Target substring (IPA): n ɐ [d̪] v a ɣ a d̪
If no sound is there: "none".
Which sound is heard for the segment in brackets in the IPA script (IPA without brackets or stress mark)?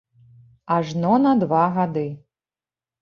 d̪